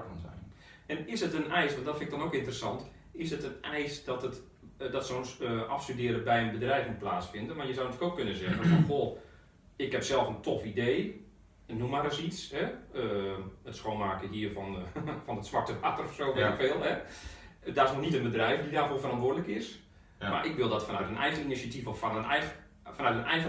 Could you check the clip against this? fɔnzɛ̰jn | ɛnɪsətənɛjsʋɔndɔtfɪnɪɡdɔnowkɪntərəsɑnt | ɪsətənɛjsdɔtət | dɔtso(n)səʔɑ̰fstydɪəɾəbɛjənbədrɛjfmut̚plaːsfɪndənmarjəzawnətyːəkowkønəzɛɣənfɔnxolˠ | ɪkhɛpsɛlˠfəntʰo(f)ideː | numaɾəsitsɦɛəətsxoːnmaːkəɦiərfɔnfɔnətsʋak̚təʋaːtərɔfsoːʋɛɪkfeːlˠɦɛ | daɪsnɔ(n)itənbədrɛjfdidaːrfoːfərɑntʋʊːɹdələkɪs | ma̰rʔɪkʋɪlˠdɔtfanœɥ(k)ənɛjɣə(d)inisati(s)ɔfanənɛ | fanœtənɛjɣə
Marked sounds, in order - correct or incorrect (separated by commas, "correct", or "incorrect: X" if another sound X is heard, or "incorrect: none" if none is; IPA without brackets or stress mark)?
correct, correct, correct, incorrect: t, incorrect: n, incorrect: f